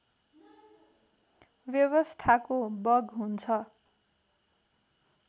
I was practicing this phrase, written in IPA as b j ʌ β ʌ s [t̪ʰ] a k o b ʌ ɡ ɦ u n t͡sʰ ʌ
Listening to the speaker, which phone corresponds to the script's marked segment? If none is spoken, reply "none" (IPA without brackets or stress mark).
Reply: t̪ʰ